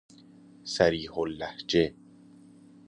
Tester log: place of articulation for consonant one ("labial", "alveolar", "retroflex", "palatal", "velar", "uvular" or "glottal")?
alveolar